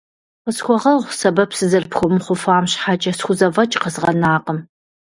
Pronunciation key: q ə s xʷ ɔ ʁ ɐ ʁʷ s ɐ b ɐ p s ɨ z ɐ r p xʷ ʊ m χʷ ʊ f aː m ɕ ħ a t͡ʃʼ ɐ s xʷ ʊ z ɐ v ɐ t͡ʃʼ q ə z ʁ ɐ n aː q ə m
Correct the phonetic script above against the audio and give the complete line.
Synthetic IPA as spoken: q ə s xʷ ɔ ʁ ɐ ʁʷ s ɐ b ɐ p s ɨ z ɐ r p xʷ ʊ m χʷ ʊ f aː m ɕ ħ a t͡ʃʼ ɐ s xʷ ʊ z ɐ v ɐ t͡ʃʼ q ə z ʁ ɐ n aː q ə m